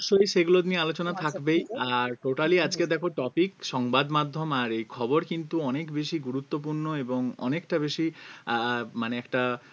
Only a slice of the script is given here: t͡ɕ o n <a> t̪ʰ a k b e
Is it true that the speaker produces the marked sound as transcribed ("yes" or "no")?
yes